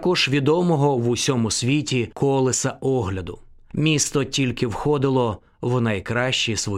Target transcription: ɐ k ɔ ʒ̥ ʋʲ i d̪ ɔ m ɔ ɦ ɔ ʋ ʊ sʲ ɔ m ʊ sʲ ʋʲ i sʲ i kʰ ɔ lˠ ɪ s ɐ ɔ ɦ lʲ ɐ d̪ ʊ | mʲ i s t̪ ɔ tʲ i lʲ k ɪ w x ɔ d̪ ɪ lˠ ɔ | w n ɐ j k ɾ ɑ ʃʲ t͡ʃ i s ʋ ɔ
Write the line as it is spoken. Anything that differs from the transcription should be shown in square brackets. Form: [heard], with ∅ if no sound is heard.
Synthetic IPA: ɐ k ɔ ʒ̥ ʋʲ i d̪ ɔ m ɔ ɦ ɔ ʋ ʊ sʲ ɔ m ʊ sʲ ʋʲ i [tʲ] i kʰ ɔ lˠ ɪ s ɐ ɔ ɦ lʲ ɐ d̪ ʊ | mʲ i s t̪ ɔ tʲ i lʲ k ɪ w x ɔ d̪ ɪ lˠ ɔ | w n ɐ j k ɾ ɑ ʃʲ t͡ʃ i s ʋ ɔ